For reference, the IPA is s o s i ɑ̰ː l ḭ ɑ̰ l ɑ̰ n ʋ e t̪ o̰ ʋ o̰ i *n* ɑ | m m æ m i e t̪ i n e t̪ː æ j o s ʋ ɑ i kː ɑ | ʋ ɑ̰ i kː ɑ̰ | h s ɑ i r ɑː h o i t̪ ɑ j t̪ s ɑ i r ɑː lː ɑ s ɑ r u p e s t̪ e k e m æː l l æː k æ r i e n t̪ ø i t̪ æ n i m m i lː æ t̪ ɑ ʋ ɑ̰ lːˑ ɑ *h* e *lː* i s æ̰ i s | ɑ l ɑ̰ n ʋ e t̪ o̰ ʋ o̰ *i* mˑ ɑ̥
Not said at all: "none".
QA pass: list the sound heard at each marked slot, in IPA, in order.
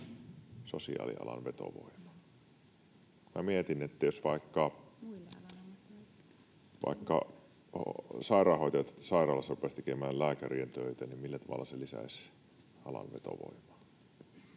m, s, l, i

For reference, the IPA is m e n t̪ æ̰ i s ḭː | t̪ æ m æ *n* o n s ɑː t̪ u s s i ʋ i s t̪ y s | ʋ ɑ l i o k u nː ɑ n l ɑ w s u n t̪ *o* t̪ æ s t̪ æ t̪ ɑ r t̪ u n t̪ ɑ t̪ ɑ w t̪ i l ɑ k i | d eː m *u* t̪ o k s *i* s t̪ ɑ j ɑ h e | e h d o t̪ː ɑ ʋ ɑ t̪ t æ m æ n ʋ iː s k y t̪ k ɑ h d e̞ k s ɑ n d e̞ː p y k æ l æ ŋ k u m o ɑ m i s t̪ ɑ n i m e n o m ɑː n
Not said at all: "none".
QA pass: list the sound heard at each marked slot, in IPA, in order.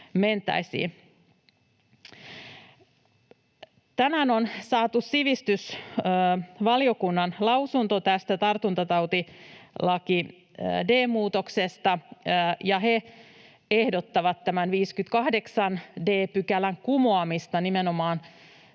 n, o, uː, e

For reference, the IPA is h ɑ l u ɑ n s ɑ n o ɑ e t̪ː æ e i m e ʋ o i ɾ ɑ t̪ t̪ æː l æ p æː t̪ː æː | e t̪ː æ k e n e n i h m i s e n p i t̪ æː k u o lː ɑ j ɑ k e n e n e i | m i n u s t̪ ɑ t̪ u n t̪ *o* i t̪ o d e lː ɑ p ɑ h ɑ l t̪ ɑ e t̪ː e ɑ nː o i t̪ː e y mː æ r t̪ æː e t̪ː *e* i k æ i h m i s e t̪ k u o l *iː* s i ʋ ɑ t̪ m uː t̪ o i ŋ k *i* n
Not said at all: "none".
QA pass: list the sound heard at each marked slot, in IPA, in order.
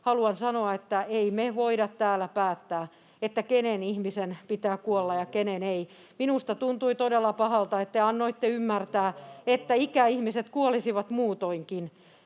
u, æ, i, i

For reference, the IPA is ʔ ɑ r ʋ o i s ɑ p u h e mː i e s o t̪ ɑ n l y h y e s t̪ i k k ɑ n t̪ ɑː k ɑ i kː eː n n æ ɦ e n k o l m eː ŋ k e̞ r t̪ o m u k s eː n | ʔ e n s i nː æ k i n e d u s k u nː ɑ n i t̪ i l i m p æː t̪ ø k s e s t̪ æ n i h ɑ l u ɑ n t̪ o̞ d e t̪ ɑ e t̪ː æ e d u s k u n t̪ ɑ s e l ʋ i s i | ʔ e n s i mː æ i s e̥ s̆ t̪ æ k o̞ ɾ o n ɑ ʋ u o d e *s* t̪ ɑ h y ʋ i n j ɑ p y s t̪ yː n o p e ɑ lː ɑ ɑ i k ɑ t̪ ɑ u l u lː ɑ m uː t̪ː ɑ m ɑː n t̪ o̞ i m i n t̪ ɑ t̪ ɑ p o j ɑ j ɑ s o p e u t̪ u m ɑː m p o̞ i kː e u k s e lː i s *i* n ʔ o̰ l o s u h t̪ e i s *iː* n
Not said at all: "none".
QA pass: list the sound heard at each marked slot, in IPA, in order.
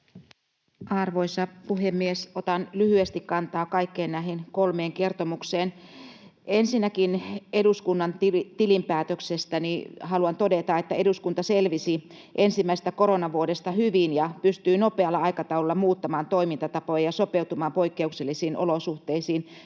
s, iː, iː

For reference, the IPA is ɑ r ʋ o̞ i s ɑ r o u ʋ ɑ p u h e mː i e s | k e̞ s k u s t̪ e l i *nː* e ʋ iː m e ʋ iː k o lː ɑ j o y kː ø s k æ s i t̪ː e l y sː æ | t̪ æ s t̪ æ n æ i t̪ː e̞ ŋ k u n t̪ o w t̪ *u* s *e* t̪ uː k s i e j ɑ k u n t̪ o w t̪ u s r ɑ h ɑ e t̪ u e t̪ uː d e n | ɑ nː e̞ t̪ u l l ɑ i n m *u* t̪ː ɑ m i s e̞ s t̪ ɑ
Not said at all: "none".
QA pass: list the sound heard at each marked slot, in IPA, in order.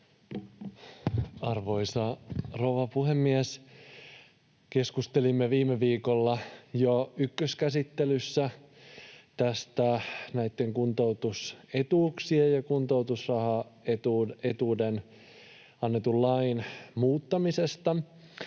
mː, u, e, uː

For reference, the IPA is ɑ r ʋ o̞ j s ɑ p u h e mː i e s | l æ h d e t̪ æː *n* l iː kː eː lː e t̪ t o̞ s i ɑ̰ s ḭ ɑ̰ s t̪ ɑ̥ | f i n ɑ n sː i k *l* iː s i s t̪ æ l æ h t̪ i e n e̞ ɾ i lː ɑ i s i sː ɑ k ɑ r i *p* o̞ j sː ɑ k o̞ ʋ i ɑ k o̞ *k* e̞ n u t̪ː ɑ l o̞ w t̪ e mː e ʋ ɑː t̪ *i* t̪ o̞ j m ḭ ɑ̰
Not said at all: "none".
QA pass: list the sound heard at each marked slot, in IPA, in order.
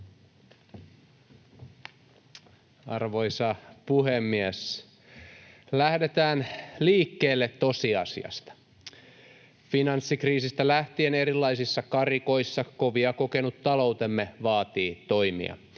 n, r, k, k, iː

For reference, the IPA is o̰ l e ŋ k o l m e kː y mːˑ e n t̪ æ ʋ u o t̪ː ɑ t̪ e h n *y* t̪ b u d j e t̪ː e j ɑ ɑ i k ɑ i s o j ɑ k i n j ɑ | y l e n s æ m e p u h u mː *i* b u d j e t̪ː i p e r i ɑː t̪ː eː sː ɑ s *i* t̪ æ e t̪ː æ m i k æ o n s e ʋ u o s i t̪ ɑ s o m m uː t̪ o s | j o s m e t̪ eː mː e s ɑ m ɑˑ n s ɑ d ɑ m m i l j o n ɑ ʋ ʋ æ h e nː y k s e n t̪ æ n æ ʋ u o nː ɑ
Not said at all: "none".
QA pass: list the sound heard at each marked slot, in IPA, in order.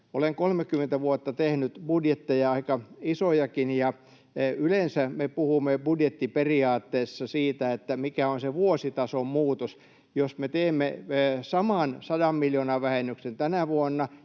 y, e, iː

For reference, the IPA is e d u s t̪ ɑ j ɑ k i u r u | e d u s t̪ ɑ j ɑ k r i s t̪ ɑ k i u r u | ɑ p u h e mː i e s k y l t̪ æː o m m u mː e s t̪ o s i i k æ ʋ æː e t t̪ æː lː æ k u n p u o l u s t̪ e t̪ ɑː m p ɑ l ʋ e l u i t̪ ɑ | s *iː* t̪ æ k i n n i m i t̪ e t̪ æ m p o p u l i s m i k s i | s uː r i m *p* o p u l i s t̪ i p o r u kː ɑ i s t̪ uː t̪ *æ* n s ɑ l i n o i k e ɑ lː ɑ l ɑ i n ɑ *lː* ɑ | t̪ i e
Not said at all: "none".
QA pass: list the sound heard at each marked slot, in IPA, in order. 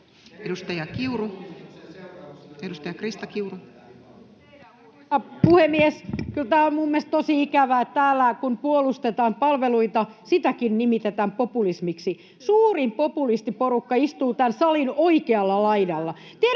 i, p, æ, lː

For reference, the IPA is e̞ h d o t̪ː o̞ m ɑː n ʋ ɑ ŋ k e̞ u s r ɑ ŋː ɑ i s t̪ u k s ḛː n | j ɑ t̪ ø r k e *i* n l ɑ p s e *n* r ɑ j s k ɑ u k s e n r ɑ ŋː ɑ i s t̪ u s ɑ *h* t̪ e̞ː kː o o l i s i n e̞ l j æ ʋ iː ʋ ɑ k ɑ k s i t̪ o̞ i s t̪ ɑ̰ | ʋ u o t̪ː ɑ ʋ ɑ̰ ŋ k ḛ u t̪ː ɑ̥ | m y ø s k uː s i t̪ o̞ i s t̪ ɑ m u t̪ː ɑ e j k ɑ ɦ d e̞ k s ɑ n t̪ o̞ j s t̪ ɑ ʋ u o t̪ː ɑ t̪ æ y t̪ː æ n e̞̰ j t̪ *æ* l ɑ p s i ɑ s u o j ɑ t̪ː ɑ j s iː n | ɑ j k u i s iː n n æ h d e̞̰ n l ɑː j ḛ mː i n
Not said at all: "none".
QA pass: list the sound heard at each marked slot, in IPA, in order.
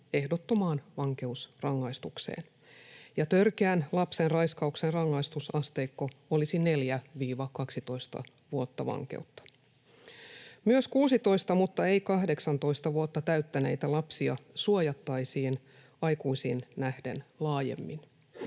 æ, n, s, æ

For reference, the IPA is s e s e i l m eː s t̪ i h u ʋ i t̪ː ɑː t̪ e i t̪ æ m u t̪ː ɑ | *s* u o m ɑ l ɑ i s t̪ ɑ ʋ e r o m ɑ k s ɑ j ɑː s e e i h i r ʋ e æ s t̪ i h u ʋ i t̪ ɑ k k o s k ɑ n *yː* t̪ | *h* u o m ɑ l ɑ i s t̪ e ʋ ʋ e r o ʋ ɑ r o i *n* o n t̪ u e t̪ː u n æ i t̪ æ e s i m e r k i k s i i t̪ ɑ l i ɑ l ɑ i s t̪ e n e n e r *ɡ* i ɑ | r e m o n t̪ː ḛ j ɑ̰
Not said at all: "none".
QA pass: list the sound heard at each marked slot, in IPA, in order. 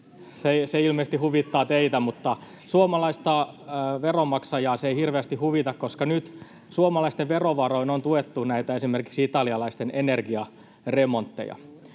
s, y, s, n, ɡ

